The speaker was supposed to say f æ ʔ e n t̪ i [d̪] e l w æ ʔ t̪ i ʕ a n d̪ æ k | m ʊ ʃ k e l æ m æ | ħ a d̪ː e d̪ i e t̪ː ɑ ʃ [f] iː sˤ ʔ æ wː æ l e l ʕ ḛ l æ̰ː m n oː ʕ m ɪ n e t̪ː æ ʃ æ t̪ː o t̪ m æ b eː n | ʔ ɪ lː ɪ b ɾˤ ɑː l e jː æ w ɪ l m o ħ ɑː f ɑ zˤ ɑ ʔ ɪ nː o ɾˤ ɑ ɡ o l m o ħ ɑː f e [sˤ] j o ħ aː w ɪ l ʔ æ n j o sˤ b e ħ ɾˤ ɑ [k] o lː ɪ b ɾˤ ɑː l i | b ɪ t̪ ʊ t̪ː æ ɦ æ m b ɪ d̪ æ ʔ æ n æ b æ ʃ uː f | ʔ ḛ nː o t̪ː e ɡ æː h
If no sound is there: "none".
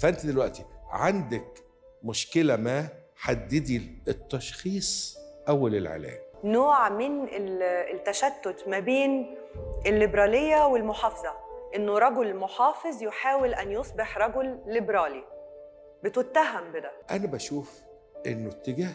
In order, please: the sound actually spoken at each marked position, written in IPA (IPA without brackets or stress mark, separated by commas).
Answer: d̪, x, zˤ, ɡ